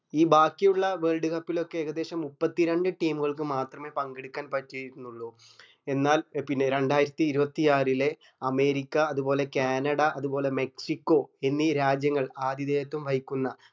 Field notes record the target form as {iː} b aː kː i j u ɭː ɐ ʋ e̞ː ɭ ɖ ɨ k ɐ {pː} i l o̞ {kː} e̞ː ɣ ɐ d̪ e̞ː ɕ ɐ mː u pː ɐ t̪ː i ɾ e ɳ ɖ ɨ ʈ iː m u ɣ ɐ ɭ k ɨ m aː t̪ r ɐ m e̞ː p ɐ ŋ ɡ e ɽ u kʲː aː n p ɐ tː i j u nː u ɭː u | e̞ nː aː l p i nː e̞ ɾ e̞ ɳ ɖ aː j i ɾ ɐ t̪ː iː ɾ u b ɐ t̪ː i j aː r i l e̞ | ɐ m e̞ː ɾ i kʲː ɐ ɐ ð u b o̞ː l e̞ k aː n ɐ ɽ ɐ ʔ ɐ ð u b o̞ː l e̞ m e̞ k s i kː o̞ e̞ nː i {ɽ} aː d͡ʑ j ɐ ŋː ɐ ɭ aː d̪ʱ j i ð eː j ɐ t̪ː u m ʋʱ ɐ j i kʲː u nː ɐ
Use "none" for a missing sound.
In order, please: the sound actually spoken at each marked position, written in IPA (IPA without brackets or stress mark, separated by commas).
iː, pː, kː, ɾ